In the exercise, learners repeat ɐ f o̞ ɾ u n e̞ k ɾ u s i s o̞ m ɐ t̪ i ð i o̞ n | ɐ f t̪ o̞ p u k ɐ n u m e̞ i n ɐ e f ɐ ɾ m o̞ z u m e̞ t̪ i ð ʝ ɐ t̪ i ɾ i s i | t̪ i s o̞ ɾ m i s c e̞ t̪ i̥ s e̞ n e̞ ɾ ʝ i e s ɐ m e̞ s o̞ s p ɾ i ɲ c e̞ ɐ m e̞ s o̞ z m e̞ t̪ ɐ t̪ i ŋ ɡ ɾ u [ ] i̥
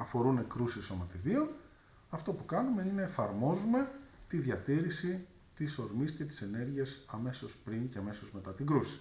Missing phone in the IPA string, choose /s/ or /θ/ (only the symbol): s